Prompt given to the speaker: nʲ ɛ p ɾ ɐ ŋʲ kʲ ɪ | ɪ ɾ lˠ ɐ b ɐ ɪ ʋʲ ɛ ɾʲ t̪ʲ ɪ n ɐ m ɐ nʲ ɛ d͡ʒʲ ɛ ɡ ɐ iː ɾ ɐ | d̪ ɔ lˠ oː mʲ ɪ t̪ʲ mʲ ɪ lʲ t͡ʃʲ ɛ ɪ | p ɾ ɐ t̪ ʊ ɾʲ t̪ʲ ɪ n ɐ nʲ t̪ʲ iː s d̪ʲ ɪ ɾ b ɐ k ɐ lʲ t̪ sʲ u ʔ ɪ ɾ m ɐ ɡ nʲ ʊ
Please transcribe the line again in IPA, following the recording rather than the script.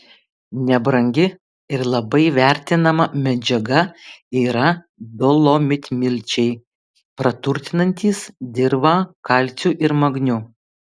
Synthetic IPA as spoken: nʲ ɛ b ɾ ɐ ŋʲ ɡʲ ɪ | ɪ ɾ lˠ ɐ b ɐ ɪ ʋʲ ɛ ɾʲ t̪ʲ ɪ n ɐ m ɐ mʲ ɛ d͡ʒʲ ɛ ɡ ɐ iː ɾ ɐ | d̪ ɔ lˠ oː mʲ ɪ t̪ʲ mʲ ɪ lʲ t͡ʃʲ ɛ ɪ | p ɾ ɐ t̪ ʊ ɾʲ t̪ʲ ɪ n ɐ nʲ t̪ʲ iː s d̪ʲ ɪ ɾ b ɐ k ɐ lʲ t̪ sʲ u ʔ ɪ ɾ m ɐ ɡ nʲ ʊ